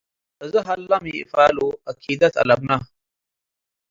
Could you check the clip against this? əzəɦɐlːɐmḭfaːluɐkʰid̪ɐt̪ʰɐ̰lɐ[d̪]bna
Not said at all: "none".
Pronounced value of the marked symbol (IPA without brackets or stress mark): none